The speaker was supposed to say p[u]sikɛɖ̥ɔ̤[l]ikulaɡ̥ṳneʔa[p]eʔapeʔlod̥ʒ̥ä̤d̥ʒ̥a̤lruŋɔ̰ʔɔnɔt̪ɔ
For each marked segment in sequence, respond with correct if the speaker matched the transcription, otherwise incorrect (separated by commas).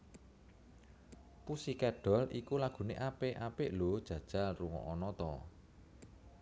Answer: correct, correct, correct